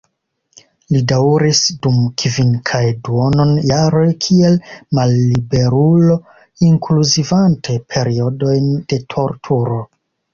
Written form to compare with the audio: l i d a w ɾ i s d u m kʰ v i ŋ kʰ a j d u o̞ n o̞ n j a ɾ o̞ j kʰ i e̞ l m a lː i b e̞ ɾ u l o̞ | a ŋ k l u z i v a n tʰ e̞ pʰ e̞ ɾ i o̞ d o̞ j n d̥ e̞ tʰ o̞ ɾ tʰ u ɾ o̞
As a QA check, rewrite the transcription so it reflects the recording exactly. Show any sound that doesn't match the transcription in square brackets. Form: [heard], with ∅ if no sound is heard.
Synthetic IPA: l i d a w ɾ i s d u m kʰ v i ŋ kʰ a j d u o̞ n o̞ n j a ɾ o̞ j kʰ i e̞ l m a lː i b e̞ ɾ u l o̞ | [i] ŋ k l u z i v a n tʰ e̞ pʰ e̞ ɾ i o̞ d o̞ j n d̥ e̞ tʰ o̞ ɾ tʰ u ɾ o̞